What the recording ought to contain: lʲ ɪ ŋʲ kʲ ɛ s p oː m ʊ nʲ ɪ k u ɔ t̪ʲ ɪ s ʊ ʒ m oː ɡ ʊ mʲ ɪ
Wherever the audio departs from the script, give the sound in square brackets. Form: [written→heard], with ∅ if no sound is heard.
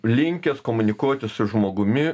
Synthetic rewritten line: lʲ ɪ ŋʲ kʲ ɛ s [p→k] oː m ʊ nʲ ɪ k u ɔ t̪ʲ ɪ s ʊ ʒ m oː ɡ ʊ mʲ ɪ